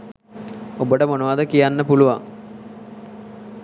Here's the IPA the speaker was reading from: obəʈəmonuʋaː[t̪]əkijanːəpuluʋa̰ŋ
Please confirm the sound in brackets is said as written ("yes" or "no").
no